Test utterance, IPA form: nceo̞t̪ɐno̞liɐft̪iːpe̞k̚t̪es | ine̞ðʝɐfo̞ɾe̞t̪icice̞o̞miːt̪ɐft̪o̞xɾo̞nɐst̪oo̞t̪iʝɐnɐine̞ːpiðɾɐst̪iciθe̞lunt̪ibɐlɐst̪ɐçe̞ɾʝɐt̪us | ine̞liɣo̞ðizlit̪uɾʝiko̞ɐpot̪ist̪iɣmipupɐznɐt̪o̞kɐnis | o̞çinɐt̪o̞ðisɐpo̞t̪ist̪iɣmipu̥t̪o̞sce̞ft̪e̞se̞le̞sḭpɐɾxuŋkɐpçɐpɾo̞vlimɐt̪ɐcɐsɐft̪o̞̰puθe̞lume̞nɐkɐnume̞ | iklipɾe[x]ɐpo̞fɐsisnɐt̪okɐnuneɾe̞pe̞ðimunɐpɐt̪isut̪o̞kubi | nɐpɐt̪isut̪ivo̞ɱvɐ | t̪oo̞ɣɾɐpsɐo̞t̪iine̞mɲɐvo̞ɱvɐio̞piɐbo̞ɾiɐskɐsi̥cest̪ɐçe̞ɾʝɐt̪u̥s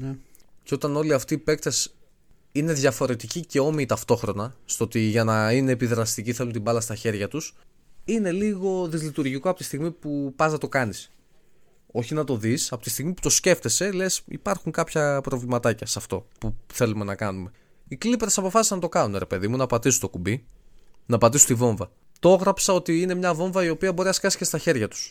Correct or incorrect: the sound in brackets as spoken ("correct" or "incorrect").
incorrect